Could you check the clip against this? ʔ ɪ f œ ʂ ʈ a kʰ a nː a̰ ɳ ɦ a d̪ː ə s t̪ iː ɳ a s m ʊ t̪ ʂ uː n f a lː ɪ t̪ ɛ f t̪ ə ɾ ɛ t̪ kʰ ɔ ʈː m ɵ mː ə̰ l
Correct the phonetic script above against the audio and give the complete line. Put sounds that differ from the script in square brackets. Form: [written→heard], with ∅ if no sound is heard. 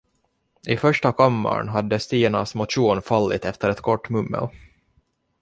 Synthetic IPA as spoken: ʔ ɪ f œ ʂ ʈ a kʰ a [nː→mː] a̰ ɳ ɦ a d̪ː ə s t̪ iː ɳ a s m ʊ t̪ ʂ uː n f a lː ɪ t̪ ɛ f t̪ ə ɾ ɛ t̪ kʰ ɔ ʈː m ɵ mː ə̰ l